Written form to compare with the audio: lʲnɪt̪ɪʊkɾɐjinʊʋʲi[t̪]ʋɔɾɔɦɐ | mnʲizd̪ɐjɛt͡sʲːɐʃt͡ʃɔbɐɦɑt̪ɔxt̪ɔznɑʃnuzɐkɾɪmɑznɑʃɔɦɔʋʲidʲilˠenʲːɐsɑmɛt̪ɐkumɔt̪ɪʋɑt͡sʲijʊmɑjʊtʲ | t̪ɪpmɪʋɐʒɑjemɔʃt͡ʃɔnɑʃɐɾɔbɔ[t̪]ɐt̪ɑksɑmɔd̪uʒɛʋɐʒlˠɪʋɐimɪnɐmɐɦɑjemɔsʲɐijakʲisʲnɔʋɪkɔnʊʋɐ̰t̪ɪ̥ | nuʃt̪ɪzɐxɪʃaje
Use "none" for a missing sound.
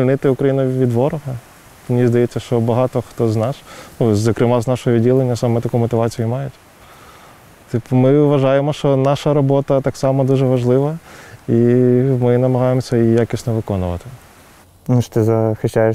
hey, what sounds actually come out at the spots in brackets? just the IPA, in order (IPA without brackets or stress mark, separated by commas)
d̪, t̪